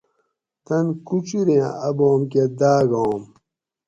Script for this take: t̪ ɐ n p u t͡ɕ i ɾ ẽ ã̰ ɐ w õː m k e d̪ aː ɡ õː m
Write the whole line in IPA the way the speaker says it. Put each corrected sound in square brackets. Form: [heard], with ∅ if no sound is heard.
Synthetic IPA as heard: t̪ ɐ n [k] u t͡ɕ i ɾ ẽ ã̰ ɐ [b] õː m k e d̪ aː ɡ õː m